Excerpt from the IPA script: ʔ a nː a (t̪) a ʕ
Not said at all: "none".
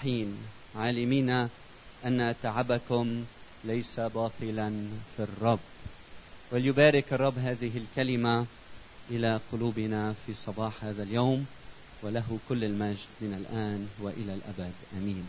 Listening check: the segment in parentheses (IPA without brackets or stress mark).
t̪